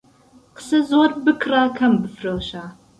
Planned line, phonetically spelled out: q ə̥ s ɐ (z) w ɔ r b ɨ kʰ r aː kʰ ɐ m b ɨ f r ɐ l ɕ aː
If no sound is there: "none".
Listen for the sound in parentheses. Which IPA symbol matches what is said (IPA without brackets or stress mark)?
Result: z